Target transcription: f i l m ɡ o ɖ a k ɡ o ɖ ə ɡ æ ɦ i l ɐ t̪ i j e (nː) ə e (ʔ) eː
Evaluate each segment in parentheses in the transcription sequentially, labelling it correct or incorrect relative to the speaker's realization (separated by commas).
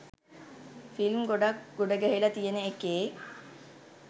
incorrect, incorrect